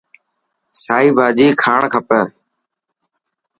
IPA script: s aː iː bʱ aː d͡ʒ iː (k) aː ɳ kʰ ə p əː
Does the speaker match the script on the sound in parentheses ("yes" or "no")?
no